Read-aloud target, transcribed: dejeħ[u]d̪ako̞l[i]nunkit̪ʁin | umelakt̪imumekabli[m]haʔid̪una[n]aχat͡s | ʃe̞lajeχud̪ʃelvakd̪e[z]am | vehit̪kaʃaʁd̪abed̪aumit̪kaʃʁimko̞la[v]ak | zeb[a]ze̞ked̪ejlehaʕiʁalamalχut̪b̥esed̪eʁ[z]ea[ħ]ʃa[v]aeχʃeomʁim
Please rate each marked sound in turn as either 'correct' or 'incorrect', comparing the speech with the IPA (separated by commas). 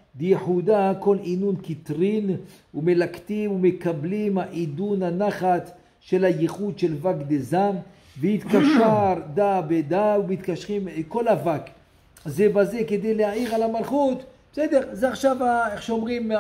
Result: correct, correct, correct, correct, correct, correct, correct, correct, incorrect, correct